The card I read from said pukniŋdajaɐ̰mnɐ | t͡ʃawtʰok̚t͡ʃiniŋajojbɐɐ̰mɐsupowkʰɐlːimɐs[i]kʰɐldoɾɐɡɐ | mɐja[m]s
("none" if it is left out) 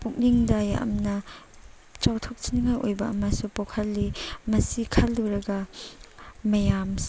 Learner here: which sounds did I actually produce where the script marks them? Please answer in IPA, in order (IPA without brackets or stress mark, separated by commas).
i, m